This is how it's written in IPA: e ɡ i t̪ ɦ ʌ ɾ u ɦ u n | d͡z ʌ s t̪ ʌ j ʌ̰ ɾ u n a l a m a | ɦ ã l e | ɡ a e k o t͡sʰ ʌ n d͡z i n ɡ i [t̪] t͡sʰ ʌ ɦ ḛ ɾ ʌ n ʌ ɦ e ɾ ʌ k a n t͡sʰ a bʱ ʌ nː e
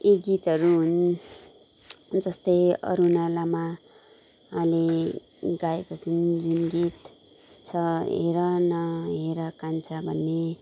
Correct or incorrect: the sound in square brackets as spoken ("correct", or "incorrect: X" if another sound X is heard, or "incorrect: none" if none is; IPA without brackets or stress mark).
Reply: correct